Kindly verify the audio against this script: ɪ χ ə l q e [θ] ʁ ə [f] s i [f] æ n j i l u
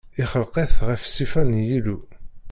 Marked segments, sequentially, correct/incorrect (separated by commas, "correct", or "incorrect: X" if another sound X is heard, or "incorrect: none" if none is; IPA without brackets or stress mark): correct, correct, correct